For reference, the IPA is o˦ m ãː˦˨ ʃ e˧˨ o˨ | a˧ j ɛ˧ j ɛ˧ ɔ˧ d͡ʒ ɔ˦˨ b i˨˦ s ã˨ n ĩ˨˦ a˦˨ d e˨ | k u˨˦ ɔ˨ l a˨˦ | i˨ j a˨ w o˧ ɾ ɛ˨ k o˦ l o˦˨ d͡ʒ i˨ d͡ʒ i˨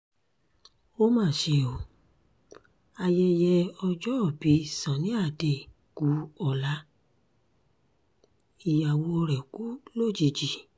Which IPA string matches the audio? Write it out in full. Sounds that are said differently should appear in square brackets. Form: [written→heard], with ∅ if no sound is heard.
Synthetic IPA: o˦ m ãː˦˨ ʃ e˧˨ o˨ | a˧ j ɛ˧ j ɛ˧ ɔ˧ d͡ʒ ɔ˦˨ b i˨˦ s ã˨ n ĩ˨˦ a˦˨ d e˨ | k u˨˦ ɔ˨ l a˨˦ | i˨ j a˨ w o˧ ɾ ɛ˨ k [o˦→u˦] l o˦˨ d͡ʒ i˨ d͡ʒ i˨